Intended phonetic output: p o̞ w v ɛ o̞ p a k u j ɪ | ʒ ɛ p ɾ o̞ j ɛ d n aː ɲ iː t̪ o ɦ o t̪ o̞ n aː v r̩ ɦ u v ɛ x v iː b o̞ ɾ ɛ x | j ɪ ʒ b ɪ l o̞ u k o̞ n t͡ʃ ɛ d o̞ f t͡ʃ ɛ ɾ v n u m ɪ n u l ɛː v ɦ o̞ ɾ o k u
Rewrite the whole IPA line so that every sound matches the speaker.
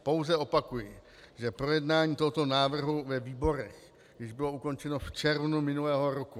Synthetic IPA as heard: p o̞ w z ɛ o̞ p a k u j ɪ | ʒ ɛ p ɾ o̞ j ɛ d n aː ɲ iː t̪ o ɦ o t̪ o̞ n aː v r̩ ɦ u v ɛ v iː b o̞ ɾ ɛ x | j ɪ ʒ b ɪ l o̞ u k o̞ n t͡ʃ ɛ n o̞ f t͡ʃ ɛ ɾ v n u m ɪ n u l ɛː ɦ o̞ ɾ o k u